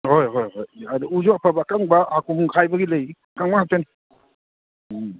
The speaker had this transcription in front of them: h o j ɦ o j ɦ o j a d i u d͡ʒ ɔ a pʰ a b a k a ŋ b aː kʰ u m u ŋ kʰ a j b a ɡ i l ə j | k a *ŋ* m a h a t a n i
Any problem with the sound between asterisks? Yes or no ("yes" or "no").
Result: no